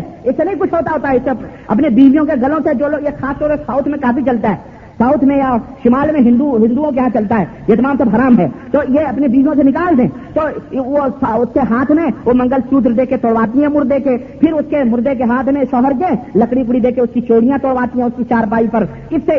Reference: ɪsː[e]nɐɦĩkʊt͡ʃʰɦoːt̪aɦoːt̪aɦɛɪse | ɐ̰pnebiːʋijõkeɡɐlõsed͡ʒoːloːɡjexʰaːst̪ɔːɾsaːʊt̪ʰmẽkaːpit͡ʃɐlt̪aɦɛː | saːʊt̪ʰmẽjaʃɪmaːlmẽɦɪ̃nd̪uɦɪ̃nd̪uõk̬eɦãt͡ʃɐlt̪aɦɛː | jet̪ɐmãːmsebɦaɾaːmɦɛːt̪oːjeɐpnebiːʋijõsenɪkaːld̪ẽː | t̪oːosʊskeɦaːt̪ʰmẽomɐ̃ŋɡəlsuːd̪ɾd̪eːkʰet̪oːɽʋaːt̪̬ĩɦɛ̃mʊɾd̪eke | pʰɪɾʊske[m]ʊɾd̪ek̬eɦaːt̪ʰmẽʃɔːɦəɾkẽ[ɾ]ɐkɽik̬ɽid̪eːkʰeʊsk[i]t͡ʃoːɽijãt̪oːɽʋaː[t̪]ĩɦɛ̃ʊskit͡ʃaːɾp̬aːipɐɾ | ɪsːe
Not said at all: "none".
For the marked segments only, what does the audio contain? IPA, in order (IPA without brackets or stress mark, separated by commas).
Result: e, m, l, i, t̪